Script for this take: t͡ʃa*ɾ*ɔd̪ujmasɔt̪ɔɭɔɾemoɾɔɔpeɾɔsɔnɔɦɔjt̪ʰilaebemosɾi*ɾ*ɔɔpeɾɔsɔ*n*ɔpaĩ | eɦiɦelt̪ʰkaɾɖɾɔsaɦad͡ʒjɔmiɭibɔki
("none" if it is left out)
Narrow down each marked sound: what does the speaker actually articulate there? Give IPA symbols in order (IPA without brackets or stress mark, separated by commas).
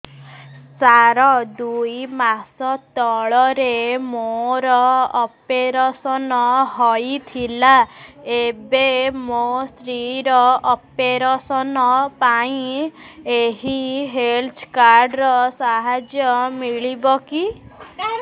ɾ, ɾ, n